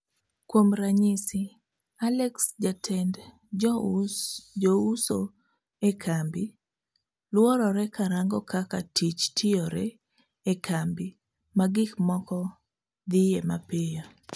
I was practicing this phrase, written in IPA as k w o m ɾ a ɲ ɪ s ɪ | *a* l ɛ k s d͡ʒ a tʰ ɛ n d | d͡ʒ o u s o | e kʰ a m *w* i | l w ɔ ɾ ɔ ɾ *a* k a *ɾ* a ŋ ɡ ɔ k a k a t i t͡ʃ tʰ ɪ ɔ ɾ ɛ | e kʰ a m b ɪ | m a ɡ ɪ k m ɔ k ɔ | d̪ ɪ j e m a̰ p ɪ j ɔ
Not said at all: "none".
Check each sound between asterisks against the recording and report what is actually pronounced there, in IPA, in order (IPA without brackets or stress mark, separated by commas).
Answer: a, b, ɛ, ɾ